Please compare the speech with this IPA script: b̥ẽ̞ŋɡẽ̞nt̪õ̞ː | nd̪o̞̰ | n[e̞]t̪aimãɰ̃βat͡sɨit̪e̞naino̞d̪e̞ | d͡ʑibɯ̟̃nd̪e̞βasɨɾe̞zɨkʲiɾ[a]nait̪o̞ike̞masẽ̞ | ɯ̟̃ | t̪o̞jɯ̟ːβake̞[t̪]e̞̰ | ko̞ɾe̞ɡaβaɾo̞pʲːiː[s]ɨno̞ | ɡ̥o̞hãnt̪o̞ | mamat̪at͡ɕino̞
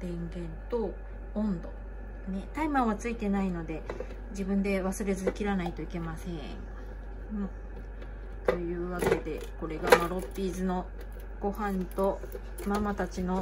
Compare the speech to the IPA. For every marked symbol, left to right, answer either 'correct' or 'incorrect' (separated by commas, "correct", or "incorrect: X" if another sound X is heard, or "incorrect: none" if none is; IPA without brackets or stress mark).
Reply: correct, correct, incorrect: d̪, incorrect: z